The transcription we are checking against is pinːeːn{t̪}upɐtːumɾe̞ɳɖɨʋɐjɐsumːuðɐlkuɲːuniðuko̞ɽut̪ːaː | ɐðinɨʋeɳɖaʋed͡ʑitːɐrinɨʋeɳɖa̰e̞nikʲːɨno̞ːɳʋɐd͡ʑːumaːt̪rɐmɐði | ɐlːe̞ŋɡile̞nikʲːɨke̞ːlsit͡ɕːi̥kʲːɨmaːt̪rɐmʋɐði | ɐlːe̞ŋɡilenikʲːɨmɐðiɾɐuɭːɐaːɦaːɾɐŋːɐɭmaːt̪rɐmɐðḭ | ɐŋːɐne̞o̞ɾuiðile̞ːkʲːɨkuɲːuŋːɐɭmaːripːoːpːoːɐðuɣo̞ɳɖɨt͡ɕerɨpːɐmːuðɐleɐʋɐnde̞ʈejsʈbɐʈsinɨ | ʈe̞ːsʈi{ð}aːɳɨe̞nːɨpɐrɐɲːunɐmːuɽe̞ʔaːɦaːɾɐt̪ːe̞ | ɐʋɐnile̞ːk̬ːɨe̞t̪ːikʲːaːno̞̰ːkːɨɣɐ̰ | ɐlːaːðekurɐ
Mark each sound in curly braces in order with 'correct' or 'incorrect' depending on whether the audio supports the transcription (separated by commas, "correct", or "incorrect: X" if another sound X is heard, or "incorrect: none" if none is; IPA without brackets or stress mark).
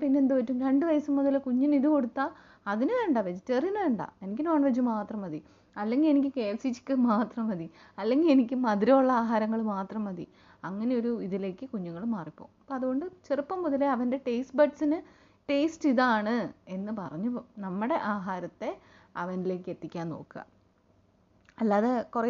incorrect: d̪, correct